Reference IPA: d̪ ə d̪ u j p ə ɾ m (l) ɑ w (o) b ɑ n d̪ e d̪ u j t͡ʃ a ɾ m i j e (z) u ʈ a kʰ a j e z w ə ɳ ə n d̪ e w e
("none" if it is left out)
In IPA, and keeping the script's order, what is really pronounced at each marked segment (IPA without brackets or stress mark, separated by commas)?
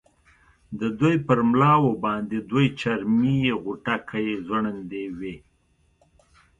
l, o, ɣ